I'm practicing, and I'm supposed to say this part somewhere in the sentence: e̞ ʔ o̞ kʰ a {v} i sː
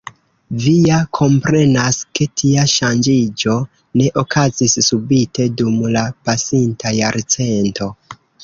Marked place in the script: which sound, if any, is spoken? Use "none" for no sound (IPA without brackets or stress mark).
z